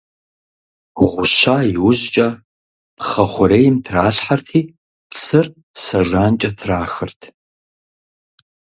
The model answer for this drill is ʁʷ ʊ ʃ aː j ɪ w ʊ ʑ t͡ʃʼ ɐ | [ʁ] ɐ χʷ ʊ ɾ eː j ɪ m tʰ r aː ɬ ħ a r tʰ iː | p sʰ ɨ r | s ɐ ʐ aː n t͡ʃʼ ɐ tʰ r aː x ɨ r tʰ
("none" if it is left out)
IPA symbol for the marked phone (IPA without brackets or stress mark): χ